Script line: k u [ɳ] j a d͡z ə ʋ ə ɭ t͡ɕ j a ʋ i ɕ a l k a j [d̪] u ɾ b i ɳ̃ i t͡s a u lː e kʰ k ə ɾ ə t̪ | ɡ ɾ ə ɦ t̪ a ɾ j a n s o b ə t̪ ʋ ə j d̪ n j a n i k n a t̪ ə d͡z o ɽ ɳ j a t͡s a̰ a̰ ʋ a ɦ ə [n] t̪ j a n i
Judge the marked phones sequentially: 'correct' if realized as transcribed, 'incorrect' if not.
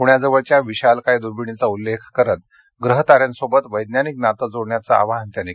correct, correct, correct

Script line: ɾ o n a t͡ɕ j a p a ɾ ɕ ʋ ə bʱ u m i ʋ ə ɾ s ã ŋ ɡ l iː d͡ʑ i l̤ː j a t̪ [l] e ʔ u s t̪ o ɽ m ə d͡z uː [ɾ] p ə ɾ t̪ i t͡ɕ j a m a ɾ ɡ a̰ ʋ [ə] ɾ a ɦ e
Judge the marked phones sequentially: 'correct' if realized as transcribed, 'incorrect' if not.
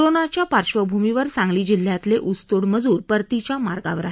correct, correct, correct

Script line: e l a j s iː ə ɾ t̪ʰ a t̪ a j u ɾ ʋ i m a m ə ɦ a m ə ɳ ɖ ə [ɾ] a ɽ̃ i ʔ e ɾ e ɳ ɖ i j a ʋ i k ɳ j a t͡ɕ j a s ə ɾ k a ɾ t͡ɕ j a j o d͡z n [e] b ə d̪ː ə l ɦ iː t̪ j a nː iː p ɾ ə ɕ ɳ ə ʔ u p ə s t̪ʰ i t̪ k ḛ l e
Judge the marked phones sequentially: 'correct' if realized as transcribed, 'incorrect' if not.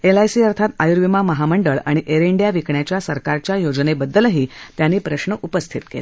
incorrect: ɭ, correct

